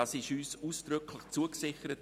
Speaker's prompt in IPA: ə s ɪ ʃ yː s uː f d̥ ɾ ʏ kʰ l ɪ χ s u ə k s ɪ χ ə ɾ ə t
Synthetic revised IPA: ɑ s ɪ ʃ yː s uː s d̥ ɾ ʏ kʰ l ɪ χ t͡s u ə k s ɪ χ ə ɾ ə t